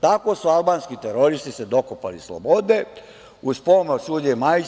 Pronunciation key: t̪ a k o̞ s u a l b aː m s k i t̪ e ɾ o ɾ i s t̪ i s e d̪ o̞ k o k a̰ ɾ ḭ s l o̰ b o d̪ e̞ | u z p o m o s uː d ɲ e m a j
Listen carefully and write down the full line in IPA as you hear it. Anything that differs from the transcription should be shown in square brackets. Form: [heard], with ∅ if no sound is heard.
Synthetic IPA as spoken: t̪ a k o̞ s u a l b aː [n] s k i t̪ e ɾ o ɾ i s t̪ i s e d̪ o̞ k o [p] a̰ [l] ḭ s l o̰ b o d̪ e̞ | u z p o m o s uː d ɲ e m a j